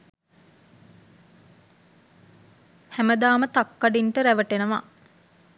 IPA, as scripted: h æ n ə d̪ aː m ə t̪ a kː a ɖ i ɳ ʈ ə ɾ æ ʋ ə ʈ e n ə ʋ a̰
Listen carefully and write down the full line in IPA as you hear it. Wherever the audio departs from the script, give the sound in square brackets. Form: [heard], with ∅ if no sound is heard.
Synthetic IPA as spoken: h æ [m] ə d̪ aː m ə t̪ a kː a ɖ i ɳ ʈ ə ɾ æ ʋ ə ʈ e n ə ʋ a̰

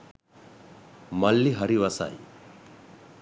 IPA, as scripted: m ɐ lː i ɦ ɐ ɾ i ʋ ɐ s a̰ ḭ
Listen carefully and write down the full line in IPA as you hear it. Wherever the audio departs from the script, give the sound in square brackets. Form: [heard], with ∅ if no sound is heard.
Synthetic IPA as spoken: m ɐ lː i ɦ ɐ ɾ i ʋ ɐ s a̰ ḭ

